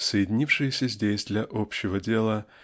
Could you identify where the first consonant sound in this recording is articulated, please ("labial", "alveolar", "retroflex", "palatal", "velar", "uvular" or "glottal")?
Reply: alveolar